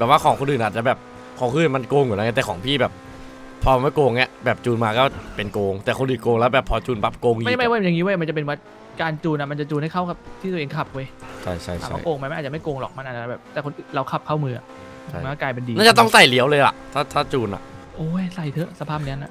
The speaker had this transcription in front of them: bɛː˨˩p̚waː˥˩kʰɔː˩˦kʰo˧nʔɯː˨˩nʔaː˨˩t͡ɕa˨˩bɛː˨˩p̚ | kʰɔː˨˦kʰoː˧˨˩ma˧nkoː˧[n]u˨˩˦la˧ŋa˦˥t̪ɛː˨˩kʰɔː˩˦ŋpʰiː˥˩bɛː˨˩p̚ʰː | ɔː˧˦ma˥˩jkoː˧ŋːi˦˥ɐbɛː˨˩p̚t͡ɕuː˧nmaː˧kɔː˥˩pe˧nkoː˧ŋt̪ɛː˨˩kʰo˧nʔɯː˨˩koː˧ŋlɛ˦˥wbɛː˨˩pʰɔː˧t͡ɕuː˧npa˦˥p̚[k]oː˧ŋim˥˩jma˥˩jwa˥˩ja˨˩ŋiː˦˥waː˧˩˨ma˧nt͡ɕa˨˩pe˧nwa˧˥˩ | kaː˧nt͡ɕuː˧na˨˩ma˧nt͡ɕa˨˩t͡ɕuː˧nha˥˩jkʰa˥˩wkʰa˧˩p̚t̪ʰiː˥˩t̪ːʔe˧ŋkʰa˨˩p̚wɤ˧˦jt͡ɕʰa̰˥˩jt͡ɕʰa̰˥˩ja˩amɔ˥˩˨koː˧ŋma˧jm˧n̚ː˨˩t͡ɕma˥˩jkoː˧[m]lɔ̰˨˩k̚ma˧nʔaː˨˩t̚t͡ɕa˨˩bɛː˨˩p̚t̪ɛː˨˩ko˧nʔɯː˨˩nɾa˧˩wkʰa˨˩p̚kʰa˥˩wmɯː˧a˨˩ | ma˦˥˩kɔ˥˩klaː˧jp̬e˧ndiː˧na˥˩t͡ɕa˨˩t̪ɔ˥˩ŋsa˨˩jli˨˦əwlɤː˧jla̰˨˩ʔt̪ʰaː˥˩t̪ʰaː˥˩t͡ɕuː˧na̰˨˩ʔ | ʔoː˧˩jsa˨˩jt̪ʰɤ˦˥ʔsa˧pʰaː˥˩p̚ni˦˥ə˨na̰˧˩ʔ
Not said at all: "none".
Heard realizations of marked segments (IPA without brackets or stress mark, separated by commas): ŋ, k, ŋ